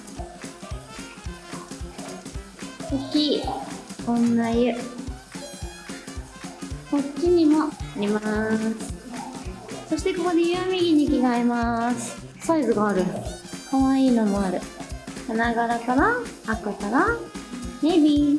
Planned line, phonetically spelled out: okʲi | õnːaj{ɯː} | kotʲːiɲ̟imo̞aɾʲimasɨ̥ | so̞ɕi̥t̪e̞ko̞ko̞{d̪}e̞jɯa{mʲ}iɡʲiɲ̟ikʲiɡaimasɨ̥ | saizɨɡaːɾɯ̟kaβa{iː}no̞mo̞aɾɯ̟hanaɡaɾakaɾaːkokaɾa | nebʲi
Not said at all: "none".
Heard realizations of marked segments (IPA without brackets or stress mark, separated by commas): ɯ, d̪, mʲ, iː